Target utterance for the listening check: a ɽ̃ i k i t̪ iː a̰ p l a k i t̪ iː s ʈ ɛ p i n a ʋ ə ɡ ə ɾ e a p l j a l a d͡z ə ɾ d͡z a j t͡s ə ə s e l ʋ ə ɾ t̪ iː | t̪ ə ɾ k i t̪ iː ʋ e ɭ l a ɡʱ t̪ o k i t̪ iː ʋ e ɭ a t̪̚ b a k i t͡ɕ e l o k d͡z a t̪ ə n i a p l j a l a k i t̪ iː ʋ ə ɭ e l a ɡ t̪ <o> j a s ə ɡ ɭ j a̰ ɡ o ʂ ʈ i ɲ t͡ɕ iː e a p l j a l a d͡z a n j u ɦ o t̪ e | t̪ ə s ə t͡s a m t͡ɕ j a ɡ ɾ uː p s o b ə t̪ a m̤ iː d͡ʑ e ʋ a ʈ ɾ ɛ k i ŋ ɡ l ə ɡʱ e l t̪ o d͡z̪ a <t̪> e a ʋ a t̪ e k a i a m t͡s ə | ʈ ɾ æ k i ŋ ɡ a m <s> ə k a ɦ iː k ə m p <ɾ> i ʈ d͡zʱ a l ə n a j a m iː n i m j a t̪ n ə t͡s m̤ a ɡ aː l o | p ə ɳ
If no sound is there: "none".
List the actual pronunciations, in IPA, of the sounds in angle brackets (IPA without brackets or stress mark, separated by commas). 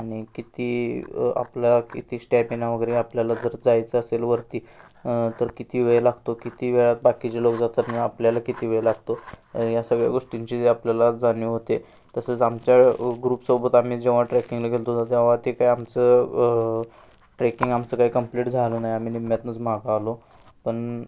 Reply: o, t̪, t͡s, l